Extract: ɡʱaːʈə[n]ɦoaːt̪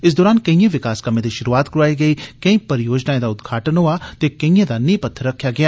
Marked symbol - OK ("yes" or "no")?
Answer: yes